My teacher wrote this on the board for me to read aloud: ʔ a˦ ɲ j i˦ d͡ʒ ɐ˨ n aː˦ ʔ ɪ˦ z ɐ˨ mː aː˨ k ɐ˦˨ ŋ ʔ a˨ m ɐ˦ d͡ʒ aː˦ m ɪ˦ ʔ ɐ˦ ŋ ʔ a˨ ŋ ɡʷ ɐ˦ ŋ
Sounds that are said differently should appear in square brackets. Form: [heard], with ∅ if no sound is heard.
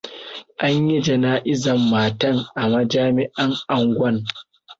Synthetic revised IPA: ʔ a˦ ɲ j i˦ d͡ʒ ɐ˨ n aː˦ ʔ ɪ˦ z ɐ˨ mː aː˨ [t] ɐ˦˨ ŋ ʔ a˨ m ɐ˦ d͡ʒ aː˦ m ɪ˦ ʔ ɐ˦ ŋ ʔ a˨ ŋ ɡʷ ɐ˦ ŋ